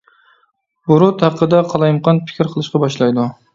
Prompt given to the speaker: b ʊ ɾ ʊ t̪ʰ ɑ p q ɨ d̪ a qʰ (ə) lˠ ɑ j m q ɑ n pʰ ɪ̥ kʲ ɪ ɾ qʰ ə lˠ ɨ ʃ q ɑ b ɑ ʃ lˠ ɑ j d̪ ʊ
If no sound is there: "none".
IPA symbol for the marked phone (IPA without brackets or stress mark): ɑ